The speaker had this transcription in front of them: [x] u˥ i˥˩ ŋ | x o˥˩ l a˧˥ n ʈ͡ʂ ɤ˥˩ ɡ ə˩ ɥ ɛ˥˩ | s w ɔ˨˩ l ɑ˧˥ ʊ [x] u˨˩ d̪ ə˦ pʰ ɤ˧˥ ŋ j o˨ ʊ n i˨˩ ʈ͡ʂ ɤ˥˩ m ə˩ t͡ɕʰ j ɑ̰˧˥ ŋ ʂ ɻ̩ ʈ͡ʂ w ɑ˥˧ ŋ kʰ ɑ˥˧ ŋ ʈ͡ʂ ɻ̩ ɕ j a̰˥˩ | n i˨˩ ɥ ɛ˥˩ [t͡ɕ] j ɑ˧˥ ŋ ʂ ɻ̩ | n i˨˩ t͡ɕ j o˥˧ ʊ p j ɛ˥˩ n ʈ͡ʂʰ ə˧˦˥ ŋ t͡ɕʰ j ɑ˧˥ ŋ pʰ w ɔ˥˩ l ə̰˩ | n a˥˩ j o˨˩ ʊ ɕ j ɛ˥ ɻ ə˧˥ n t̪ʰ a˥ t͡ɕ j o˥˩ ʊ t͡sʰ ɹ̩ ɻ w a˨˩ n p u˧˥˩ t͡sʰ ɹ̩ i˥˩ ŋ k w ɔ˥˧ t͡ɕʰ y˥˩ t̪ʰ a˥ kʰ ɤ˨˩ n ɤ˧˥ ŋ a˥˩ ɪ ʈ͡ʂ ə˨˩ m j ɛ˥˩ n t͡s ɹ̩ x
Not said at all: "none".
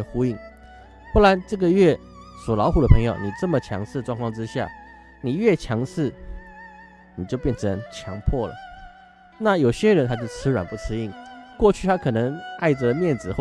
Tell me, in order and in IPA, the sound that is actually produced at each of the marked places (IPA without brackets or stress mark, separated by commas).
x, x, t͡ɕʰ